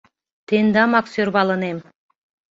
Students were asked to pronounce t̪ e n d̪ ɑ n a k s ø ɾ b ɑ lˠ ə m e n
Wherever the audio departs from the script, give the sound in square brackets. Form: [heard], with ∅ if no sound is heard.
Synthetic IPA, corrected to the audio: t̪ e n d̪ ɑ [m] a k s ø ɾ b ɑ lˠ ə [n] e [m]